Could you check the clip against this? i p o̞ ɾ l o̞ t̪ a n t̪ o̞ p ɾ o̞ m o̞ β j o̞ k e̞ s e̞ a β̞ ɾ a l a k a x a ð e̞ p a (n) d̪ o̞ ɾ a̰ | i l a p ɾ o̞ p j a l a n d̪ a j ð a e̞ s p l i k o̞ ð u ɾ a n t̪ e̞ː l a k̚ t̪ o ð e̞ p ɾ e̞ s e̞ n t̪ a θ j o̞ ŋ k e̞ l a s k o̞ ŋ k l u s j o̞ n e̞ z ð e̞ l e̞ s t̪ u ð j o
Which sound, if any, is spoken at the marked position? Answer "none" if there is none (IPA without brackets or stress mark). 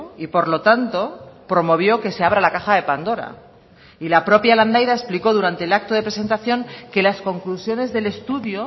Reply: n